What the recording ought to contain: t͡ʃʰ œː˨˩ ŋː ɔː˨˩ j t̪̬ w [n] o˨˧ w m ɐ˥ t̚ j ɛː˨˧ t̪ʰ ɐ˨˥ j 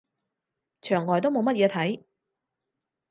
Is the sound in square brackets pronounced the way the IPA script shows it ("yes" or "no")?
no